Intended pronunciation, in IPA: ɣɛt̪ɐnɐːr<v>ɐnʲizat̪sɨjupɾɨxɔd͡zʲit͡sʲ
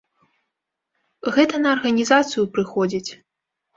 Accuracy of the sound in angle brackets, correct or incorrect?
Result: incorrect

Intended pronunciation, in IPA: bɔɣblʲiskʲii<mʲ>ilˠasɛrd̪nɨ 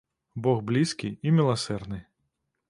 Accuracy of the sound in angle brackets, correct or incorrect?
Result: correct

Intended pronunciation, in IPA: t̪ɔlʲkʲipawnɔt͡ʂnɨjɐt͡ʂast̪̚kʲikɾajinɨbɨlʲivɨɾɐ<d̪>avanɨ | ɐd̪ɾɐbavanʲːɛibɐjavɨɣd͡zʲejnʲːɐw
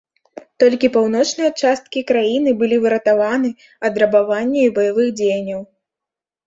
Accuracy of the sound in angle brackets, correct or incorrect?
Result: incorrect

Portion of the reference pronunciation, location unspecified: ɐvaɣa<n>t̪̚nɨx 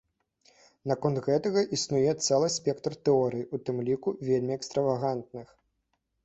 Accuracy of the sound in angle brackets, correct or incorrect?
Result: correct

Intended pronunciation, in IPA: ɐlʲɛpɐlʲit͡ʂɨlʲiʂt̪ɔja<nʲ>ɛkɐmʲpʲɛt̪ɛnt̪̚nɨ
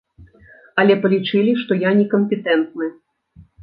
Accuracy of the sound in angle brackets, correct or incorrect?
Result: correct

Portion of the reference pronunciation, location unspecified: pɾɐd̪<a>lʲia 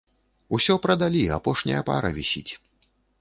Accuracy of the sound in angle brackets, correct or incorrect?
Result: correct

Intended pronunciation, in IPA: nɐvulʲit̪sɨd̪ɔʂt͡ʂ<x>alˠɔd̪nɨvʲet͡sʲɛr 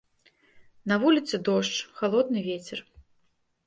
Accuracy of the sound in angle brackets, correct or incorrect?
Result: correct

